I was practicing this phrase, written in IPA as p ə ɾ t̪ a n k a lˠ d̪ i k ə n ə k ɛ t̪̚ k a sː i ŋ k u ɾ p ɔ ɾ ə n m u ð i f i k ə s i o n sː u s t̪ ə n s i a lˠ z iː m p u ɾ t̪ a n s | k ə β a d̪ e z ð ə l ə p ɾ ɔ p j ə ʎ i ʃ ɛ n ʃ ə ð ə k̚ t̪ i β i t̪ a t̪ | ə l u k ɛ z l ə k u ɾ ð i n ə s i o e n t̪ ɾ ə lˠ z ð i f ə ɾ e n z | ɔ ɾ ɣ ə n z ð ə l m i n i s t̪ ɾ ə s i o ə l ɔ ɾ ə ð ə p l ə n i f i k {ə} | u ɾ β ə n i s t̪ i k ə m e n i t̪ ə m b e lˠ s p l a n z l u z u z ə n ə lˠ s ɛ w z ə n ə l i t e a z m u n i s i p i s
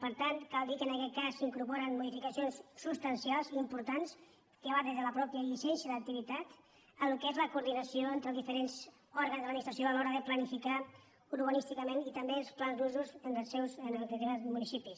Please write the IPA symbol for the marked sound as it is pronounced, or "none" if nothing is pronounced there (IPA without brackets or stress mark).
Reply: a